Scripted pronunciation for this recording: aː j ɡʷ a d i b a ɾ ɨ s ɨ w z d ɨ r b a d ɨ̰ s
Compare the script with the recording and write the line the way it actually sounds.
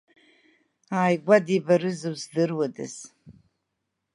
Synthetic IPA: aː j ɡʷ a d i b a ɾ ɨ z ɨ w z d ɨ r w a d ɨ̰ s